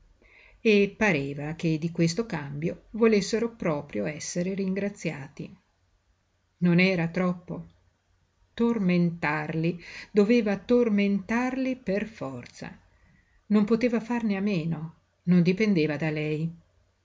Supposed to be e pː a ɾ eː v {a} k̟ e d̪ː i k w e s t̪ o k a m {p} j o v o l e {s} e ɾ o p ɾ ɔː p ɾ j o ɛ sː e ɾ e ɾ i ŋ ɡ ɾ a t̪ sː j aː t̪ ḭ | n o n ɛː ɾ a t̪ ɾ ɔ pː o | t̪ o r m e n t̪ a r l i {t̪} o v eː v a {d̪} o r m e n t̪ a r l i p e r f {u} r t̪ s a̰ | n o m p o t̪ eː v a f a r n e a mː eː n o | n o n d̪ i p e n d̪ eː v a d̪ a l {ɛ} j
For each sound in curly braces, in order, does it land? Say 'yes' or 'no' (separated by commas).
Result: yes, no, no, no, no, no, yes